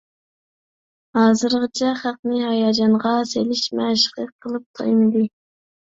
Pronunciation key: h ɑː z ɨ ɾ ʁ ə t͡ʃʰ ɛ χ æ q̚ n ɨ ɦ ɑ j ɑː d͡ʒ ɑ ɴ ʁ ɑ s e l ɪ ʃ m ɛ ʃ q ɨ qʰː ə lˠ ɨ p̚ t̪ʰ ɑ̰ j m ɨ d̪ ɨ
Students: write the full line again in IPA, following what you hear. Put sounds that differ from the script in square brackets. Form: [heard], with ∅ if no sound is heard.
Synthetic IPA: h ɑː z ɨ ɾ ʁ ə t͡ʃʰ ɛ χ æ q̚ n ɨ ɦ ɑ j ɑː d͡ʒ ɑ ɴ ʁ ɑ s e l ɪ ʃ m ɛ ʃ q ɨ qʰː ə lˠ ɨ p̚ t̪ʰ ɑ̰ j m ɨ d̪ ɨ